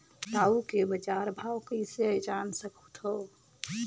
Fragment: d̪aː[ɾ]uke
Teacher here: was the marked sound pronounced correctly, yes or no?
no